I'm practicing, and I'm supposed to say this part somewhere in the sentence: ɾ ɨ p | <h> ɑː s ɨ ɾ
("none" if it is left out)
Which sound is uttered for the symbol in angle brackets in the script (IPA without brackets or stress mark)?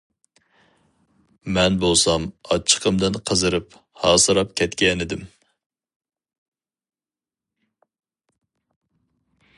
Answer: h